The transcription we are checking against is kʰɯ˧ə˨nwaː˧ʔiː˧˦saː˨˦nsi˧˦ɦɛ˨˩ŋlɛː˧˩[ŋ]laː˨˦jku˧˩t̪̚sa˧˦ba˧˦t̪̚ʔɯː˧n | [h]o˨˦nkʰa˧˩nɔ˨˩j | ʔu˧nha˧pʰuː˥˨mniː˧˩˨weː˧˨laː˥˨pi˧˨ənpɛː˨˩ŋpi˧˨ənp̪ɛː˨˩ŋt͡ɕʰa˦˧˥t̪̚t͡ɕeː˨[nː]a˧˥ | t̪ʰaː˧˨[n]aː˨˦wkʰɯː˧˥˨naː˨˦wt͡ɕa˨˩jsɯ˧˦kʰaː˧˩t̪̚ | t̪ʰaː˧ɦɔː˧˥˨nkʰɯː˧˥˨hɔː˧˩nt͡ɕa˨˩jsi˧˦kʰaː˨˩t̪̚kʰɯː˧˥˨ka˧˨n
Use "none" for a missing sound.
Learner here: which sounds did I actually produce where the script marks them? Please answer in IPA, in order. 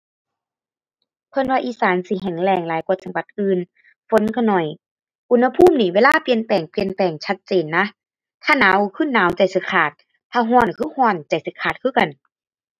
ŋ, f, nː, n

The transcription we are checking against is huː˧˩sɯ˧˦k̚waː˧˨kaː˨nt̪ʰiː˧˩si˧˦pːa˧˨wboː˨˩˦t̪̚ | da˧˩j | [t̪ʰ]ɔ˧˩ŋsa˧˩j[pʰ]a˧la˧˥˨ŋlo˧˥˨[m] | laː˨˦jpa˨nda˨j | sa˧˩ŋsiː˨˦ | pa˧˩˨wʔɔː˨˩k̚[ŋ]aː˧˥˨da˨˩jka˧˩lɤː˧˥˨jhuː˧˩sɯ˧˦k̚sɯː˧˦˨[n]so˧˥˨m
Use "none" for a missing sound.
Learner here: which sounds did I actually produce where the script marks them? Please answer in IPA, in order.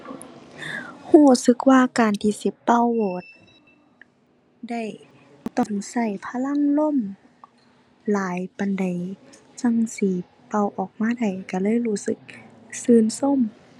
t̪, pʰ, m, m, n

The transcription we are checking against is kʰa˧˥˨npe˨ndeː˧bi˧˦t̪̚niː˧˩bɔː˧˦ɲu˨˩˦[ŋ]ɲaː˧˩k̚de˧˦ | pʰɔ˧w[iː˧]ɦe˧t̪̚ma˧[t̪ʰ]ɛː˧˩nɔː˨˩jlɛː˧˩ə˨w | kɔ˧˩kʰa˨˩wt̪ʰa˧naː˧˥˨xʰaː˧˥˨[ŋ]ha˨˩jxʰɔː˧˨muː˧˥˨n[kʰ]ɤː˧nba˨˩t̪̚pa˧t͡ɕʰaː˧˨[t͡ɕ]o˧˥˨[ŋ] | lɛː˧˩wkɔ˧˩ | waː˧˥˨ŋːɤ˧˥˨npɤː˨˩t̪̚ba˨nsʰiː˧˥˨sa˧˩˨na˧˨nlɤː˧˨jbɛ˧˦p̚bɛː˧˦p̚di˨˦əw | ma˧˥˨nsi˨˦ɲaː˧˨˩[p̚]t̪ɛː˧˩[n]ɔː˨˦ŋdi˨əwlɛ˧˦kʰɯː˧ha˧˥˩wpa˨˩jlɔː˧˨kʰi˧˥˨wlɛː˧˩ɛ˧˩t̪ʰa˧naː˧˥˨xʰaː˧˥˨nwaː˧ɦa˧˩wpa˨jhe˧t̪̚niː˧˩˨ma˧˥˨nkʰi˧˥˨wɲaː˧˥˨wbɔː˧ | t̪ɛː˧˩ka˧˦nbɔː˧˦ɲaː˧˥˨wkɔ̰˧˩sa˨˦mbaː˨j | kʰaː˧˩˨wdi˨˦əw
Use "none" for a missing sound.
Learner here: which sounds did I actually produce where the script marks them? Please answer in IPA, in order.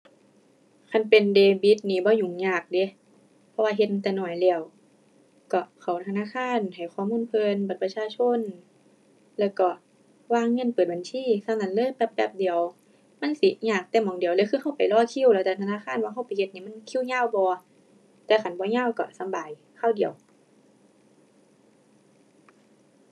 ŋ, aː˧, t̪, n, pʰ, t͡ɕʰ, n, k̚, m

